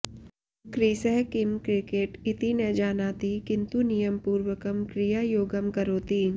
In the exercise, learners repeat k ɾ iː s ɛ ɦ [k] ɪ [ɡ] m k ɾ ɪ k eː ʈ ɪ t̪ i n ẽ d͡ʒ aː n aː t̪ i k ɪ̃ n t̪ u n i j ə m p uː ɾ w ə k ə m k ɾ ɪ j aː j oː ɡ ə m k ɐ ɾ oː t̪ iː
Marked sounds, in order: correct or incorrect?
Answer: correct, incorrect

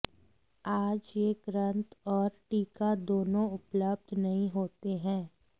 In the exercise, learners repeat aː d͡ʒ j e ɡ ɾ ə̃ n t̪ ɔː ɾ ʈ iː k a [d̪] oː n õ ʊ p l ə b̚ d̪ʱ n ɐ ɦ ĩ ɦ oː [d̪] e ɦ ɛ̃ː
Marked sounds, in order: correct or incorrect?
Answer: correct, incorrect

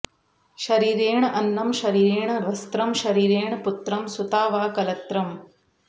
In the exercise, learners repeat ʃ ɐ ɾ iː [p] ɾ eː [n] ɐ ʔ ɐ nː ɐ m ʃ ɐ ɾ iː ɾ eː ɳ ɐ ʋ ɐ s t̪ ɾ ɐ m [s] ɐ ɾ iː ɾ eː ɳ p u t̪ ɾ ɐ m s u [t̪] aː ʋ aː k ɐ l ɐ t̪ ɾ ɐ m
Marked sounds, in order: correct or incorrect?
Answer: incorrect, incorrect, incorrect, correct

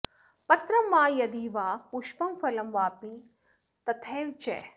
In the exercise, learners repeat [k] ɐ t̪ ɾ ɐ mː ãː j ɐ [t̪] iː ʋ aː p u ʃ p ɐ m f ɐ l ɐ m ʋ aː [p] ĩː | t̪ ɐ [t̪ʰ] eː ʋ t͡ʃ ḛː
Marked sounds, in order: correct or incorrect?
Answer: incorrect, incorrect, correct, correct

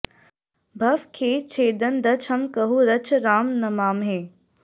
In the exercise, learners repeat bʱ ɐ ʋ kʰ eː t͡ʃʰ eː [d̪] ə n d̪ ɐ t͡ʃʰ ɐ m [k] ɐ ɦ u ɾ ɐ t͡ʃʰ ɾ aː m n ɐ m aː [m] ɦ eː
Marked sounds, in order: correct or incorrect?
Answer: correct, correct, correct

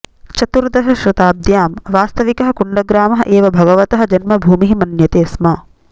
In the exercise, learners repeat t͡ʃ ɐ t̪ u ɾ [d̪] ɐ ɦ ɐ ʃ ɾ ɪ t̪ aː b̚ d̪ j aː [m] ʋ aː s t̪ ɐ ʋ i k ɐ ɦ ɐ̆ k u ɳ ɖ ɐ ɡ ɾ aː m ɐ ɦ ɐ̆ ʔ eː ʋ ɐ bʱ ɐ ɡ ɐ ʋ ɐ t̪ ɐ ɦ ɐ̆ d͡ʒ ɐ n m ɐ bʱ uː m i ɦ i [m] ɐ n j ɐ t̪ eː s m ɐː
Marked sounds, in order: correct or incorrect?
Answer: correct, correct, correct

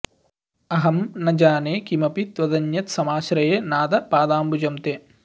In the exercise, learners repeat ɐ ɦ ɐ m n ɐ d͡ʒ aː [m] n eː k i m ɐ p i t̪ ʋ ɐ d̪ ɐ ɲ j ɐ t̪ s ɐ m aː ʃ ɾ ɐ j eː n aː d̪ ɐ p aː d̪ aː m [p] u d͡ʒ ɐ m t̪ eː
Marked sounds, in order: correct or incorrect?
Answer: incorrect, incorrect

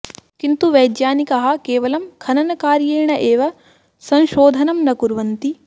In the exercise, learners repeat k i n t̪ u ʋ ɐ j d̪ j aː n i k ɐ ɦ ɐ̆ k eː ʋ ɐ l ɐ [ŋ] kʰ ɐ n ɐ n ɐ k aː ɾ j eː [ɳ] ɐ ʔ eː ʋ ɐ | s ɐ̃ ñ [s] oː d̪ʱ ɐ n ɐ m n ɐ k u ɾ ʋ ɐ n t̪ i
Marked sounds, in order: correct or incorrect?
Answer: incorrect, correct, incorrect

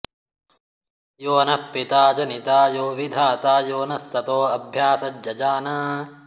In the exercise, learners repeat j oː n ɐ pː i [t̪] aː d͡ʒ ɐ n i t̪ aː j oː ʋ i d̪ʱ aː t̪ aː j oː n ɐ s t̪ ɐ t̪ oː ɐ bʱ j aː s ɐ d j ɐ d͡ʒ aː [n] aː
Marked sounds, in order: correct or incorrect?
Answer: correct, correct

